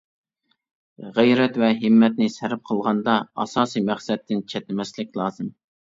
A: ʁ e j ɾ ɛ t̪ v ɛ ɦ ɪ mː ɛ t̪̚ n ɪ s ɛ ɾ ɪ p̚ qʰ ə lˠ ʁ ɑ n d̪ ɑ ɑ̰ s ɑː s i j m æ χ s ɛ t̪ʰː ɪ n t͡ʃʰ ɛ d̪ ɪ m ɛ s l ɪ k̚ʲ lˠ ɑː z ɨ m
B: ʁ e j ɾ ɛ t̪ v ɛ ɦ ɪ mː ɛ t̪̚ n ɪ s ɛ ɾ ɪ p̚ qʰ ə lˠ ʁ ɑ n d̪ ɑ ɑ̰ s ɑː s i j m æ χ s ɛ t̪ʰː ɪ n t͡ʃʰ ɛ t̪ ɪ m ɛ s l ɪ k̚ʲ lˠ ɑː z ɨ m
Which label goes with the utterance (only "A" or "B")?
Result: B